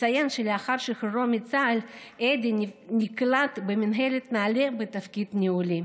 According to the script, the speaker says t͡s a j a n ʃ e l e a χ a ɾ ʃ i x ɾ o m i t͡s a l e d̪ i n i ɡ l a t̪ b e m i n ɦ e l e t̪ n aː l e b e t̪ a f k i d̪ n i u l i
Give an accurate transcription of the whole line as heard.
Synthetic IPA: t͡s a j a n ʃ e l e a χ a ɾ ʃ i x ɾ o m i t͡s a l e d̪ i n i k l a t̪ b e m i n ɦ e l e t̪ n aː l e b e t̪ a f k i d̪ n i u l i